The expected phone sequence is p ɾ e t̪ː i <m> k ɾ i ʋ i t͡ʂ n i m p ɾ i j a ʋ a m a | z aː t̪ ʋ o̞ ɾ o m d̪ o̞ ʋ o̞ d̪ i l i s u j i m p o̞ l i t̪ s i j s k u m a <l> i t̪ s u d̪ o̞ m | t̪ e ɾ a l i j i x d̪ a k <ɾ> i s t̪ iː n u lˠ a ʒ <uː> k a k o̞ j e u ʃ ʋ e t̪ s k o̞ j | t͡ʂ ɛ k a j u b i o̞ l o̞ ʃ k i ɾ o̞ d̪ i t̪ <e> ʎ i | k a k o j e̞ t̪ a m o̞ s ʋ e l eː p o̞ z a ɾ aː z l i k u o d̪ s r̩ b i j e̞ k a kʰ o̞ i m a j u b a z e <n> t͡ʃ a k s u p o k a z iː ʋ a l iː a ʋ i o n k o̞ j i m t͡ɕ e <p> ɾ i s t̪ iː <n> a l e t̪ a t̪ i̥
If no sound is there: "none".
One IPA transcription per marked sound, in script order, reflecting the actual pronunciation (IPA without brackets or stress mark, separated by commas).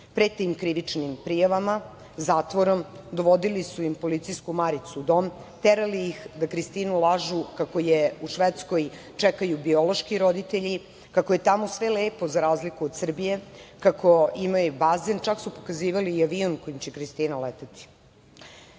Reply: m, ɾ, ɾ, u, e, n, k, n